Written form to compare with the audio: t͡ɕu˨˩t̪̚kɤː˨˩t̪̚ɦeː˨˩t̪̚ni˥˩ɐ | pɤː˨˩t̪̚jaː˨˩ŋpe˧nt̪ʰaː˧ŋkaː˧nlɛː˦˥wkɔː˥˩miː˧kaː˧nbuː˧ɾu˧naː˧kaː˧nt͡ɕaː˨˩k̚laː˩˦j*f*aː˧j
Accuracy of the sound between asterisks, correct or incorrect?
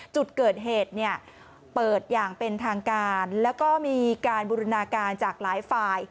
correct